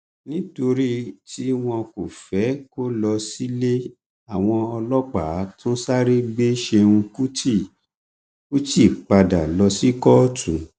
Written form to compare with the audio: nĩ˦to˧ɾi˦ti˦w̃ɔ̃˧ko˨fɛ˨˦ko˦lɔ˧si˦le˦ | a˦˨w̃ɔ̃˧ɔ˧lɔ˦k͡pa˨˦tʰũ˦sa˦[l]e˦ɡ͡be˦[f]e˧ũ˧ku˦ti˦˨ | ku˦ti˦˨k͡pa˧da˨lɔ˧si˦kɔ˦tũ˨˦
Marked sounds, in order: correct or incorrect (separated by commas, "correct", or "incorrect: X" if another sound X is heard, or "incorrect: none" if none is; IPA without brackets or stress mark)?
incorrect: ɾ, incorrect: ʃ